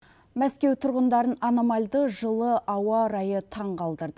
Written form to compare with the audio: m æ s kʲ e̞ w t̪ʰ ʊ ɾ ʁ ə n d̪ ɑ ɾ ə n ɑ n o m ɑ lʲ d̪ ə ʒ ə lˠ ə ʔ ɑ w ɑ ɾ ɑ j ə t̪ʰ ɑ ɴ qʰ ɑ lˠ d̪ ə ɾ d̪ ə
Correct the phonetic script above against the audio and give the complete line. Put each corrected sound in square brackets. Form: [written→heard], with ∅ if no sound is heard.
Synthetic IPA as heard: m æ s kʲ e̞ w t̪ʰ ʊ ɾ ʁ ə n d̪ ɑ ɾ ə n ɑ n o m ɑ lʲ d̪ ə ʒ ə lˠ ə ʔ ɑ w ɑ ɾ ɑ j ə t̪ʰ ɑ ɴ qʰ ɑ lˠ d̪ ə ɾ d̪ ə